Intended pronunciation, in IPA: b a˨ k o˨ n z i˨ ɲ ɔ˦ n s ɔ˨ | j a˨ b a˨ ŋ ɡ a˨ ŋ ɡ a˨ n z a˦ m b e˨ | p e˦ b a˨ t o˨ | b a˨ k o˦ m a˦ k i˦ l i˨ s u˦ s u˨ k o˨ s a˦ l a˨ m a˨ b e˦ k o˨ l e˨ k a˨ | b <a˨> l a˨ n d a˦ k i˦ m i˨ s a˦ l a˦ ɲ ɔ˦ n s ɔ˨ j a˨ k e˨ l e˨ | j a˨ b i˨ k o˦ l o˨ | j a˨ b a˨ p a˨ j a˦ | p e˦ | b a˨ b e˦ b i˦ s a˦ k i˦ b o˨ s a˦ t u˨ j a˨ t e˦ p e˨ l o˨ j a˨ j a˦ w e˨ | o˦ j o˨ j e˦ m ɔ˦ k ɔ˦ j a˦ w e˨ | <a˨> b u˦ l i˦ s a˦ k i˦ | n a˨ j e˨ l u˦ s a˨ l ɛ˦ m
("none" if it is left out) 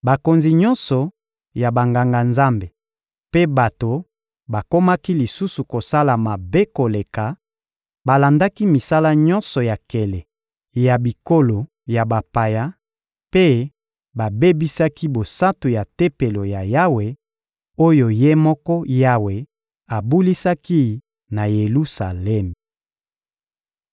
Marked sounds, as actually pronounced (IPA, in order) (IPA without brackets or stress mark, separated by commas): a˨, a˨